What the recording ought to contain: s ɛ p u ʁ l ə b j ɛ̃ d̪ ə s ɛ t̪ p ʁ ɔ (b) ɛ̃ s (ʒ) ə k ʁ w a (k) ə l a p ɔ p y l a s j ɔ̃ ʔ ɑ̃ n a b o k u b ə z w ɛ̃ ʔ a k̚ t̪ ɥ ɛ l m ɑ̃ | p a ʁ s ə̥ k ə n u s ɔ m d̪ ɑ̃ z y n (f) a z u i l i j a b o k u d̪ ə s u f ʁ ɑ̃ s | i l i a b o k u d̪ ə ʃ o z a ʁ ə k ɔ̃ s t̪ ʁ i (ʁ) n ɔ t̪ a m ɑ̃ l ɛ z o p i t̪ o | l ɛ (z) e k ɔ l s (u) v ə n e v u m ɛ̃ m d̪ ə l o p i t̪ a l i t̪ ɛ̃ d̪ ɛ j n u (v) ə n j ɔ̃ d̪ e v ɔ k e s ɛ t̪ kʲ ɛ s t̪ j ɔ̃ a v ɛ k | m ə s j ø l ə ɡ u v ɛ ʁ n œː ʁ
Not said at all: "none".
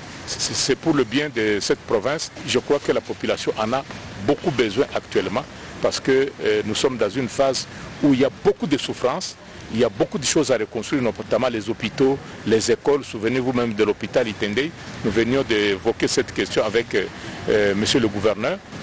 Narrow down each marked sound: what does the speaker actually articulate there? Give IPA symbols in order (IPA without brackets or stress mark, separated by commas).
v, ʒ, k, f, ʁ, z, u, v